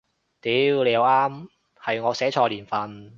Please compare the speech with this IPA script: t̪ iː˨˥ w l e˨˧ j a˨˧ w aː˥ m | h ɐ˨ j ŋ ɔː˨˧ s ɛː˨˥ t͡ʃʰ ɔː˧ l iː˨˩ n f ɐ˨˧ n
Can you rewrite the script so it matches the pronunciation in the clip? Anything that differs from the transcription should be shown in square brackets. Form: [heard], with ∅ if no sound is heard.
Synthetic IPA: t̪ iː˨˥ w l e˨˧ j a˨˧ w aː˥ m | h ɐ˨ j ŋ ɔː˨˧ s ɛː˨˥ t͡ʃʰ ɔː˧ l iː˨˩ n f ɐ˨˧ n